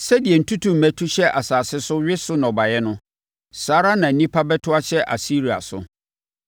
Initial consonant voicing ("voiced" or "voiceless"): voiceless